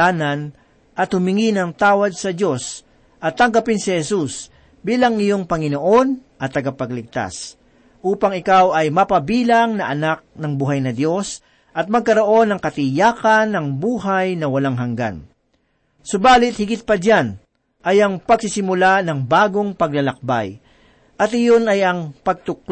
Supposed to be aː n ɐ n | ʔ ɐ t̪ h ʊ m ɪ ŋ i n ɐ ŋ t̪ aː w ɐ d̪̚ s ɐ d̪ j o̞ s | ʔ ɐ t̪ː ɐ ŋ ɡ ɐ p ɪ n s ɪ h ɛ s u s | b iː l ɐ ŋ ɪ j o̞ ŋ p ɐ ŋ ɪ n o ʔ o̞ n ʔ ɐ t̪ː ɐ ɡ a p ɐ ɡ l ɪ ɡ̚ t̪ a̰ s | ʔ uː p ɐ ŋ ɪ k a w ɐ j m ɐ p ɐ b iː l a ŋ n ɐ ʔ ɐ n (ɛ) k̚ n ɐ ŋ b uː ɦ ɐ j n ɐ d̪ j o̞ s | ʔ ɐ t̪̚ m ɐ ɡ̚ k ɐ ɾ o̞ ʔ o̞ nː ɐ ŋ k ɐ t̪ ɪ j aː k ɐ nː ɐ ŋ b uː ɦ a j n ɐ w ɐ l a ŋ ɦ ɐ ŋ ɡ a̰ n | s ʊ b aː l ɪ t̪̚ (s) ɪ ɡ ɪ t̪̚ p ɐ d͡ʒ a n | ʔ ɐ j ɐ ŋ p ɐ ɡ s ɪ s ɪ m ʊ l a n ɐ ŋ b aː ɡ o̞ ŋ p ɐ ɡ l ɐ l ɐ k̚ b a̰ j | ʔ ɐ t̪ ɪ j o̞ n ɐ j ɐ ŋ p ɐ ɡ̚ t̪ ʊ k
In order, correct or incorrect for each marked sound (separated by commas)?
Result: incorrect, incorrect